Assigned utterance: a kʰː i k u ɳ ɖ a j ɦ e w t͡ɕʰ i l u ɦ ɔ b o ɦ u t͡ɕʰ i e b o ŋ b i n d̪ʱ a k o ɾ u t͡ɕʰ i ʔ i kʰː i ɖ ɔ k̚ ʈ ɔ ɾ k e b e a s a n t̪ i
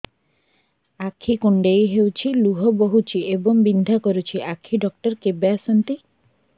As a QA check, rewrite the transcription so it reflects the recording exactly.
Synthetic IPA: a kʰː i k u ɳ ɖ e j ɦ e w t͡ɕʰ i l u ɦ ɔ b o ɦ u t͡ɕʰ i e b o ŋ b i n d̪ʱ a k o ɾ u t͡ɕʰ i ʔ a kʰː i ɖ ɔ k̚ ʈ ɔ ɾ k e b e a s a n t̪ i